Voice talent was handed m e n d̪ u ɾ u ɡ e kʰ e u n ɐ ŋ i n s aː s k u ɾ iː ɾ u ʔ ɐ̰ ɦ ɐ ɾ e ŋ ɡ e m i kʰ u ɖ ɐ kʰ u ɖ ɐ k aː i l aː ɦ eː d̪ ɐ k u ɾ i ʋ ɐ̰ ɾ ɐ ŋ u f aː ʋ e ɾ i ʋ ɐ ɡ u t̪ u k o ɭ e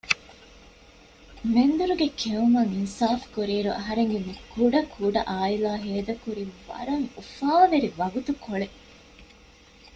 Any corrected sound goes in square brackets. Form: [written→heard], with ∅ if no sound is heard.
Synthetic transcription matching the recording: m e n d̪ u ɾ u ɡ e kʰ e u [n→m] ɐ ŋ i n s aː [s→f] k u ɾ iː ɾ u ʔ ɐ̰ ɦ ɐ ɾ e ŋ ɡ e m i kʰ u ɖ ɐ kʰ u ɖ ɐ [k→ʔ] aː i l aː ɦ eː d̪ ɐ k u ɾ i ʋ ɐ̰ ɾ ɐ ŋ u f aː ʋ e ɾ i ʋ ɐ ɡ u t̪ u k o ɭ e

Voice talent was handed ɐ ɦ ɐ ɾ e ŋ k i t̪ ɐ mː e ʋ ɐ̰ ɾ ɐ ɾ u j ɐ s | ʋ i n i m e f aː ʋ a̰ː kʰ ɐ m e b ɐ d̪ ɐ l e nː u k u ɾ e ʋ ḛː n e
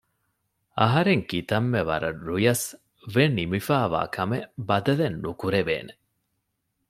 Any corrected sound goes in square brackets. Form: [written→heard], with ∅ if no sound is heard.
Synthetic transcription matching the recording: ɐ ɦ ɐ ɾ e ŋ k i t̪ ɐ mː e ʋ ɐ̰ ɾ ɐ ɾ u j ɐ s | ʋ [i→e] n i m [e→i] f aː ʋ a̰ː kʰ ɐ m e b ɐ d̪ ɐ l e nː u k u ɾ e ʋ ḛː n e

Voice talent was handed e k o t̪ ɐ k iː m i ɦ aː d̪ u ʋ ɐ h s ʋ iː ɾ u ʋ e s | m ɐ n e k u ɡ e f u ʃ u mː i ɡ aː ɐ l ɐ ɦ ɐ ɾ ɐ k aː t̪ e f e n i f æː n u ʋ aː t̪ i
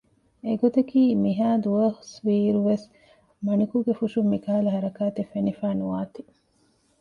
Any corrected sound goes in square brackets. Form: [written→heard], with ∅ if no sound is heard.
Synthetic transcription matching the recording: e [k→ɡ] o t̪ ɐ k iː m i ɦ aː d̪ u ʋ ɐ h s ʋ iː ɾ u ʋ e s | m ɐ n [e→i] k u ɡ e f u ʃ u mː i [ɡ→k] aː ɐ l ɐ ɦ ɐ ɾ ɐ k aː t̪ e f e n i f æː n u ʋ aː t̪ i

